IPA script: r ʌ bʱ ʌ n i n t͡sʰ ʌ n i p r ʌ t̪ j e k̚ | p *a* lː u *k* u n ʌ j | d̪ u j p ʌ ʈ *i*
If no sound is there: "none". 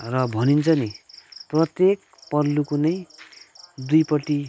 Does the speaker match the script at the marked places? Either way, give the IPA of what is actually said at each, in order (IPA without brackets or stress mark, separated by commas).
ʌ, k, i